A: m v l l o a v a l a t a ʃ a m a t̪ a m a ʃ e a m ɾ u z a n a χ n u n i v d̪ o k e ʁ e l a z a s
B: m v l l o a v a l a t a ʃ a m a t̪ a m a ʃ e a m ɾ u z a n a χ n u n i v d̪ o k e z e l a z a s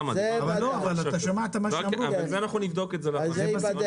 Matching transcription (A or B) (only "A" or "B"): B